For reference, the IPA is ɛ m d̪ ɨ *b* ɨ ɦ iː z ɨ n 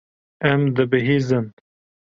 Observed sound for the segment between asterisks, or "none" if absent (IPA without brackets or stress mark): b